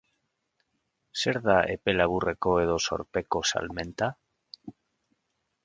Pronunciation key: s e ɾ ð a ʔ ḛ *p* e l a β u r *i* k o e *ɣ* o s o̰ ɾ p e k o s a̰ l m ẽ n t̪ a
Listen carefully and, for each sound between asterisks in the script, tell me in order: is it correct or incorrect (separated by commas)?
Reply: correct, incorrect, incorrect